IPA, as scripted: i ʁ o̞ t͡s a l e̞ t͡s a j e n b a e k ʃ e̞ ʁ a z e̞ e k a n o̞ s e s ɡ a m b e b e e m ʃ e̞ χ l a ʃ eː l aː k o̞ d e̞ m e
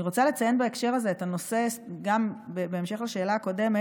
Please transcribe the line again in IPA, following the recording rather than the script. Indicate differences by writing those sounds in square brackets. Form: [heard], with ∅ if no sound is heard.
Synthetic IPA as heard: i ʁ o̞ t͡s a l e̞ t͡s a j e n b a e k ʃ e̞ ʁ a z e̞ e [t] a n o̞ s e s ɡ a m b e b e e m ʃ e̞ χ l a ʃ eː l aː k o̞ d e̞ m e